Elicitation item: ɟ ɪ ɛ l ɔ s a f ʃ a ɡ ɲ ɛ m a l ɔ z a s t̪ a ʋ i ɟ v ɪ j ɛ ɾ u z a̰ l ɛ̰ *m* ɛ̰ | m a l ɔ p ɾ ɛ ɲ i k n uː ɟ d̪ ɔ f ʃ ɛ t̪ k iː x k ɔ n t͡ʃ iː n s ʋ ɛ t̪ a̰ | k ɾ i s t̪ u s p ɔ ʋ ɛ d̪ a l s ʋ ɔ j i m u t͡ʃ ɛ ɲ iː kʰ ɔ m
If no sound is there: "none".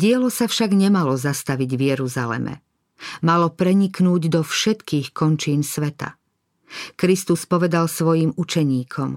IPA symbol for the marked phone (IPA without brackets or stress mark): m